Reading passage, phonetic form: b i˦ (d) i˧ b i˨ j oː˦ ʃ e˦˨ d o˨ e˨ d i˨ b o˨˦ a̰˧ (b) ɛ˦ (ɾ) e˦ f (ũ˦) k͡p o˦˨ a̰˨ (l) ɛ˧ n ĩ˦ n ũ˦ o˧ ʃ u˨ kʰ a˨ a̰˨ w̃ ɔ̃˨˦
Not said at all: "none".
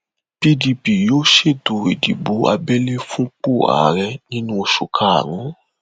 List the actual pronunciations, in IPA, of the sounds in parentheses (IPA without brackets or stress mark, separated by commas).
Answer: d, b, l, ũ˦, ɾ